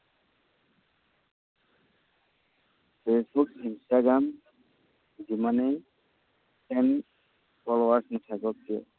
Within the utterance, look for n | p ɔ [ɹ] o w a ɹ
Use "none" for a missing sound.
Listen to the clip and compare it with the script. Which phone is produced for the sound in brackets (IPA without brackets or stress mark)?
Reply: l